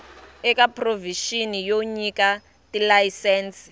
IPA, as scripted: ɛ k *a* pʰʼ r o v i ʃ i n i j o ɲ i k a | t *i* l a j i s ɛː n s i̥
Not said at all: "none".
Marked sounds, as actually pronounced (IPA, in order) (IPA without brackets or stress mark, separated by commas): a, i